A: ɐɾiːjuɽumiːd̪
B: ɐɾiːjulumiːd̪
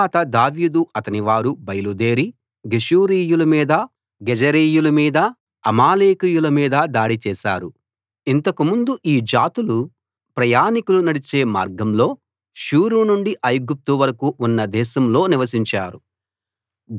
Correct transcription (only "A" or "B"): B